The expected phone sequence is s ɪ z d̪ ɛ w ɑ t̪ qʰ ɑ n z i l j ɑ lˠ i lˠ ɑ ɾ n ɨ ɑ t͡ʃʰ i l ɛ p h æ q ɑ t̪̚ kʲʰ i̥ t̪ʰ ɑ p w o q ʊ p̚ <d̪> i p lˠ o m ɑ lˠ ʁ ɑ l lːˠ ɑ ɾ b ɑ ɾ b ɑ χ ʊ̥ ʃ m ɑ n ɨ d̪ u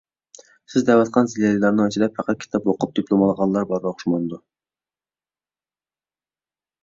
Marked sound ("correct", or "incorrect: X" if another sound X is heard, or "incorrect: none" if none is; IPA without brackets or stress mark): correct